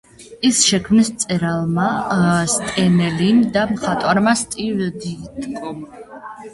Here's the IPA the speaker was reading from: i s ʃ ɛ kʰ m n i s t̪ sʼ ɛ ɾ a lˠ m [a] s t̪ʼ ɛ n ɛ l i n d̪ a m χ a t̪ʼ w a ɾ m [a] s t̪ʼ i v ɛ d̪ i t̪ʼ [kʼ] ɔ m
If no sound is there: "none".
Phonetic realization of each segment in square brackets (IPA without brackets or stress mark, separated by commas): a, a, kʼ